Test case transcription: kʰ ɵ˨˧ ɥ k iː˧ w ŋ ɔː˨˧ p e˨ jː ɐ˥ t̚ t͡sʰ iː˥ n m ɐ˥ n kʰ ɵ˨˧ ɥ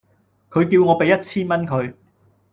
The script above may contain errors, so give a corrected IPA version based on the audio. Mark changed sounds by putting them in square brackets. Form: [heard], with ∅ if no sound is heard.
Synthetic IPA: kʰ ɵ˨˧ ɥ k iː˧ w ŋ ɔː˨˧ p e˨ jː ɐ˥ t̚ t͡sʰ iː˥ n m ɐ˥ n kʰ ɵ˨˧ ɥ